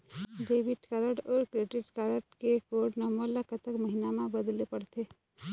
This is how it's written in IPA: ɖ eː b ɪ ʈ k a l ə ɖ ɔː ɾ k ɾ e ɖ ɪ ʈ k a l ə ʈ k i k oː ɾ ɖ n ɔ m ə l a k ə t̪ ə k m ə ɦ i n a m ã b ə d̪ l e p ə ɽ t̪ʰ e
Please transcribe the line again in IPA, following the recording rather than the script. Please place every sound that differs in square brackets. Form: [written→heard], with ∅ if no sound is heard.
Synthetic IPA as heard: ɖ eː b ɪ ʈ k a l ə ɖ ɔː ɾ k ɾ e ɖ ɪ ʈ k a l ə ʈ k [i→e] k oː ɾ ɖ n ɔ m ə l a k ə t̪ ə k m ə ɦ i n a m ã b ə d̪ l e p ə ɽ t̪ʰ e